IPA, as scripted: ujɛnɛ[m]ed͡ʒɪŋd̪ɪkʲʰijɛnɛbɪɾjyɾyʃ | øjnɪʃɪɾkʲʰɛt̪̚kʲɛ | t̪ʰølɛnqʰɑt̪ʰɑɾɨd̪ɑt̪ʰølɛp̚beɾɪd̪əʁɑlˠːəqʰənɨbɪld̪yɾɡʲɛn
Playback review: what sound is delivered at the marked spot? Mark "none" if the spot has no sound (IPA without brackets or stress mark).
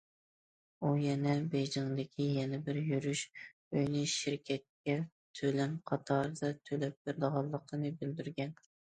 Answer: b